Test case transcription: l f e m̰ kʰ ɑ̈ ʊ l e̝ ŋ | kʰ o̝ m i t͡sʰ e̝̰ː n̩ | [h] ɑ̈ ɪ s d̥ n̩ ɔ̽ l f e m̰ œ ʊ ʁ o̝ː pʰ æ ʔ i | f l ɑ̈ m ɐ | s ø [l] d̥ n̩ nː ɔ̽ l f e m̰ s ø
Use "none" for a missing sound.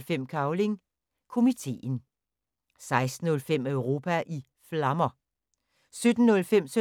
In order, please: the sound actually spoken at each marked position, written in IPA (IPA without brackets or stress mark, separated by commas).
s, none